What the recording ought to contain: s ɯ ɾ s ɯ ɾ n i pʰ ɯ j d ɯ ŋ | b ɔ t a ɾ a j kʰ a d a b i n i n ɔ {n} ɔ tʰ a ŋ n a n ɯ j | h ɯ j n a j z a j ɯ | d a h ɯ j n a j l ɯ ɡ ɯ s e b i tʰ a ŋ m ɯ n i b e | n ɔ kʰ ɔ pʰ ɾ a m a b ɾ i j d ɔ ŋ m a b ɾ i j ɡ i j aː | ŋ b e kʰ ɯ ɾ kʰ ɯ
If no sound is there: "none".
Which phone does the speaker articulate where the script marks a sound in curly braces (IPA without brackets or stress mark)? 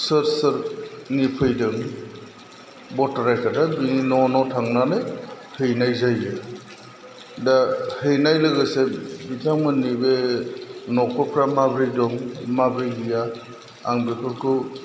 n